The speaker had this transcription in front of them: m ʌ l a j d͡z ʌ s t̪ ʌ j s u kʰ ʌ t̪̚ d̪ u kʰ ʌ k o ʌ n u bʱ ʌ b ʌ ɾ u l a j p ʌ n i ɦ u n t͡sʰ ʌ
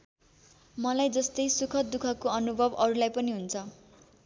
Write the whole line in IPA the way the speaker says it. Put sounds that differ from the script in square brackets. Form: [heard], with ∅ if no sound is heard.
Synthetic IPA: m ʌ l a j d͡z ʌ s t̪ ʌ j s u kʰ ʌ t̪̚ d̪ u kʰ ʌ k o ʌ n u bʱ ʌ b ʌ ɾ u l a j p ʌ n i ɦ u n t͡sʰ ʌ